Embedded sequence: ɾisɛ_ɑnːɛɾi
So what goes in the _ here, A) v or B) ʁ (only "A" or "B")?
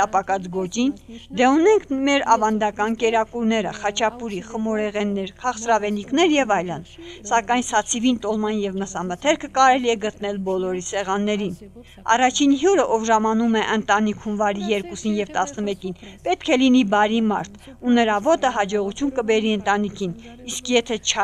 B